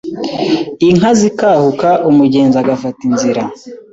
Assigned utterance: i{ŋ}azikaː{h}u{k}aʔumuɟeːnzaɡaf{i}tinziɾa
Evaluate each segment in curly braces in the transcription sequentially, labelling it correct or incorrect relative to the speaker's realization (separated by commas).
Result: correct, correct, correct, incorrect